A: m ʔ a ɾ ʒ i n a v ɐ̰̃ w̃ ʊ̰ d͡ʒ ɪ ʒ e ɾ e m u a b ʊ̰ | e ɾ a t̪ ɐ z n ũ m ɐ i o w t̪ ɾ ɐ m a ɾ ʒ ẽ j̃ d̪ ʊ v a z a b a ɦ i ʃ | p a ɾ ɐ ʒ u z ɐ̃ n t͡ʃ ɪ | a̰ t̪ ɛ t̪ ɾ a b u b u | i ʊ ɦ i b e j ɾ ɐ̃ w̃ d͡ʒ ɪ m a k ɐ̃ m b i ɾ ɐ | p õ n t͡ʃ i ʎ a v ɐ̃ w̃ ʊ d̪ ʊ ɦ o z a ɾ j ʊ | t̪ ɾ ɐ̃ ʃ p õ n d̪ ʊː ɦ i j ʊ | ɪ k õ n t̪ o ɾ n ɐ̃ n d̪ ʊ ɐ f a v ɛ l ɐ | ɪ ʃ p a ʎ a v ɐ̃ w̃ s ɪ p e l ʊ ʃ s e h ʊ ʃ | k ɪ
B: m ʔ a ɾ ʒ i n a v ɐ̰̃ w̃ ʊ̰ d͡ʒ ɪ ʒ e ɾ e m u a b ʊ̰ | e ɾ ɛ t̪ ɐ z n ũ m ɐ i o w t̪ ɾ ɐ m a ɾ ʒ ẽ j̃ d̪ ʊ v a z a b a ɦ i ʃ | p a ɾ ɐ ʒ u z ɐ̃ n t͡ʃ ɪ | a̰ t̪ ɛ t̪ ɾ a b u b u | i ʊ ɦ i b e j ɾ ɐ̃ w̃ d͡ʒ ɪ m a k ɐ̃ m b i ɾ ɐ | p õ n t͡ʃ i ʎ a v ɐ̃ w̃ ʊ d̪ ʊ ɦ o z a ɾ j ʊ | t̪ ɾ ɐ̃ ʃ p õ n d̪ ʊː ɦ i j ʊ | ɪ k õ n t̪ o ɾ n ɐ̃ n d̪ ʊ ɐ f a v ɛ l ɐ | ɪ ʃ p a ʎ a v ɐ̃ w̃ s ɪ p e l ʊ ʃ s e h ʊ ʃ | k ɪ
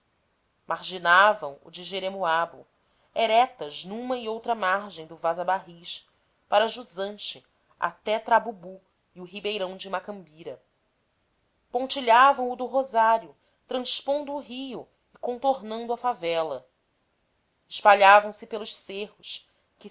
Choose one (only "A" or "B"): B